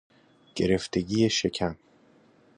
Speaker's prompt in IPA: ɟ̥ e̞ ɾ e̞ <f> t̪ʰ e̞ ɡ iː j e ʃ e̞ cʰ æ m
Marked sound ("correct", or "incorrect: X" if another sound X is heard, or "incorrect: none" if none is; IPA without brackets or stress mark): correct